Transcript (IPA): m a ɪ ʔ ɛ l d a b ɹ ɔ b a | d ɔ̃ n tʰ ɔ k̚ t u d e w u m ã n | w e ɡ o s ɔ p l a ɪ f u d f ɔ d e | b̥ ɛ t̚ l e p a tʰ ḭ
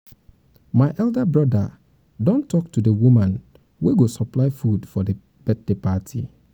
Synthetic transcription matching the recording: m a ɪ ʔ ɛ l d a b ɹ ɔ d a | d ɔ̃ n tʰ ɔ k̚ t u d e w u m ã n | w e ɡ o s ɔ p l a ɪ f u d f ɔ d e | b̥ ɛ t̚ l e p a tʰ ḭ